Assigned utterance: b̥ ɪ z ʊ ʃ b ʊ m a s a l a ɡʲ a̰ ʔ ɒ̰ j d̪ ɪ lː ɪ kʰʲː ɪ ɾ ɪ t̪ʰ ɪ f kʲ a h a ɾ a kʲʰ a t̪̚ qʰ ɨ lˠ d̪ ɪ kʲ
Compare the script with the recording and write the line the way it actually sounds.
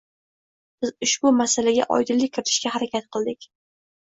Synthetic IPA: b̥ ɪ z ʊ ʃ b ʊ m a s a l a ɡʲ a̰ ʔ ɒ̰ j d̪ ɪ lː ɪ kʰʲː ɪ ɾ ɪ t̪ʰ ɪ ʃ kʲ a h a ɾ a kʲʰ a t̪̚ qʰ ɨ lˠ d̪ ɪ kʲ

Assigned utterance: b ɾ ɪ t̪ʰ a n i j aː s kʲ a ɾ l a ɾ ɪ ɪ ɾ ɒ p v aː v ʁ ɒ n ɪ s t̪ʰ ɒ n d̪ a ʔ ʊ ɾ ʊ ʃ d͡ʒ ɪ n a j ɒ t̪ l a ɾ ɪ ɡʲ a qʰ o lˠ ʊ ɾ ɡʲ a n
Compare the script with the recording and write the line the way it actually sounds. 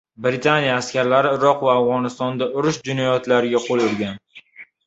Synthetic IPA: b ɾ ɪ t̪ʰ a n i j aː s kʲ a ɾ l a ɾ ɪ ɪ ɾ ɒ q v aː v ʁ ɒ n ɪ s t̪ ɒ n d̪ a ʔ ʊ ɾ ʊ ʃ d͡ʒ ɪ n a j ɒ t̪ l a ɾ ɪ ɡʲ a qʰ o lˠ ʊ ɾ ɡʲ a n

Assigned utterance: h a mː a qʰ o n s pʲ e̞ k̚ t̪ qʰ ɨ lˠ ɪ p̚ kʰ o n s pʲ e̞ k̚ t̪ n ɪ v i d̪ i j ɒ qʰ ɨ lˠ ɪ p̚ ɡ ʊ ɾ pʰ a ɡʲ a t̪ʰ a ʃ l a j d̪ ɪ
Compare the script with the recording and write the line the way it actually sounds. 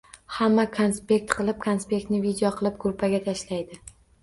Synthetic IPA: h a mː a kʰ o n s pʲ e̞ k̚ t̪ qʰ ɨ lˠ ɪ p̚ kʰ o n s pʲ e̞ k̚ t̪ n ɪ v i d̪ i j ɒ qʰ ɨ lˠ ɪ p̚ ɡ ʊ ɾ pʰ a ɡʲ a t̪ʰ a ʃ l a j d̪ ɪ

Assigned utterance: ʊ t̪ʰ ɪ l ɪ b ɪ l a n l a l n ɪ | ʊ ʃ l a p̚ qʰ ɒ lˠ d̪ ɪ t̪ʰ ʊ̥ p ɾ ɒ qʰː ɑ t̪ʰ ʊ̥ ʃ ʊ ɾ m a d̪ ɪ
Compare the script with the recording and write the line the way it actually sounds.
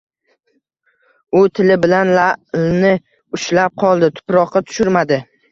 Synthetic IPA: ʊ t̪ʰ ɪ l ɪ b ɪ l a n l a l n ɪ | ʊ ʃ l a p̚ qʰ ɒ lˠ d̪ ɪ t̪ʰ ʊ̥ p ɾ ɒ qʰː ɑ t̪ʰ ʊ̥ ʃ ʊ ɾ m a d̪ ɪ

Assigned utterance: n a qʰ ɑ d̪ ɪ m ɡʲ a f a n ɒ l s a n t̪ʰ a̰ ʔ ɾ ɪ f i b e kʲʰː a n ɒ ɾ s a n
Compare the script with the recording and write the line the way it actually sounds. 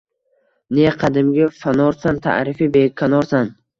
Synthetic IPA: n e qʰ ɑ d̪ ɪ m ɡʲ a f a n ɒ ɾ s a n t̪ʰ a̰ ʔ ɾ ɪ f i b e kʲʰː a n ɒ ɾ s a n

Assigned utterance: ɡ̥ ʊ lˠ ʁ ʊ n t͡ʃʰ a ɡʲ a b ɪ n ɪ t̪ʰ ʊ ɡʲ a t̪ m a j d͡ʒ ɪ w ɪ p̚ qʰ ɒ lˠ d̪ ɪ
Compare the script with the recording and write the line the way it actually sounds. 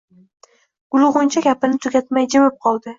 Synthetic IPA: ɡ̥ ʊ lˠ ʁ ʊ n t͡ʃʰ a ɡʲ a p ɪ n ɪ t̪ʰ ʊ ɡʲ a t̪ m a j d͡ʒ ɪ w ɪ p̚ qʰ ɒ lˠ d̪ ɪ

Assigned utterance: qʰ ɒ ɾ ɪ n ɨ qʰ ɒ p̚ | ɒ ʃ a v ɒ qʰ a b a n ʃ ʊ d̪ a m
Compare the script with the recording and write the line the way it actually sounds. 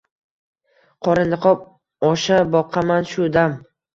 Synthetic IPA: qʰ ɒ ɾ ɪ n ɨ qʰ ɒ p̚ | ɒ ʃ a b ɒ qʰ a m a n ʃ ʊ d̪ a m

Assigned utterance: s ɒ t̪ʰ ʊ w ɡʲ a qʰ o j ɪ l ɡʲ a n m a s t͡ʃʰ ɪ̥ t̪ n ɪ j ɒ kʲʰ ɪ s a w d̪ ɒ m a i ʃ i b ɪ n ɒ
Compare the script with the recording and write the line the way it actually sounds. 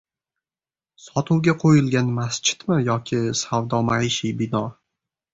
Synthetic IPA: s ɒ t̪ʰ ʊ w ɡʲ a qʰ o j ɪ l ɡʲ a n m a s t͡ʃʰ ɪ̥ t̪ m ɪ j ɒ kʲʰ ɪ s a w d̪ ɒ m a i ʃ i b ɪ n ɒ

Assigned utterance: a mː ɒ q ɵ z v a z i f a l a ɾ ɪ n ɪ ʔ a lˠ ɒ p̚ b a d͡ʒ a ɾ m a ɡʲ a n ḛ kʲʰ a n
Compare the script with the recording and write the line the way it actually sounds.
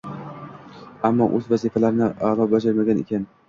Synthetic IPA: a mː ɒ ʔ ɵ z v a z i f a l a ɾ ɪ n ɪ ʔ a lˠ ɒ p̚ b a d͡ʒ a ɾ m a ɡʲ a n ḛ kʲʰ a n

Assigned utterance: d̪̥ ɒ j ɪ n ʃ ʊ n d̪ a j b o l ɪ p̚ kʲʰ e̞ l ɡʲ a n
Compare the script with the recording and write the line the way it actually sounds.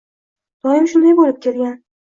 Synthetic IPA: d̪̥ ɒ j ɪ m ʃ ʊ n d̪ a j b o l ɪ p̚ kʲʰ e̞ l ɡʲ a n

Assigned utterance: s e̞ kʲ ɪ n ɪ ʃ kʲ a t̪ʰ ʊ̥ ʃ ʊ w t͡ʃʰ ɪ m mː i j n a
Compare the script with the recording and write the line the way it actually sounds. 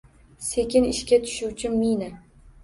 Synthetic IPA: s e̞ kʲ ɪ n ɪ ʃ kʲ a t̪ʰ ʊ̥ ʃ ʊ w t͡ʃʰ ɪ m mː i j n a

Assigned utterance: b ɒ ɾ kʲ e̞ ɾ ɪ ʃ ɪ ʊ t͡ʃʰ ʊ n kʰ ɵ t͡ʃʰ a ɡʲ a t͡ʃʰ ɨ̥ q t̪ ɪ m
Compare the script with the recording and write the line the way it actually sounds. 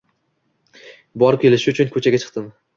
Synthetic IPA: b ɒ ɾ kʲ e̞ l ɪ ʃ ɪ ʊ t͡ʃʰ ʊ n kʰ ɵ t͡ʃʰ a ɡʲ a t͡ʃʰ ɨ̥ q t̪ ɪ m

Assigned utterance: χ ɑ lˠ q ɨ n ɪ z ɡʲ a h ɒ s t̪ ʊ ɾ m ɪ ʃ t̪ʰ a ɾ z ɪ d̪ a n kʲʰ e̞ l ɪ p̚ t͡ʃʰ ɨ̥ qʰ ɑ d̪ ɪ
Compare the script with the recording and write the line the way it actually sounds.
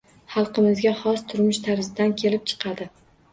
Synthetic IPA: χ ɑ lˠ q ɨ m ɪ z ɡʲ a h ɒ s t̪ʰ ʊ ɾ m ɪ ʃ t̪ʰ a ɾ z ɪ d̪ a n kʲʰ e̞ l ɪ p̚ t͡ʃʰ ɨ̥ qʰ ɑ d̪ ɪ

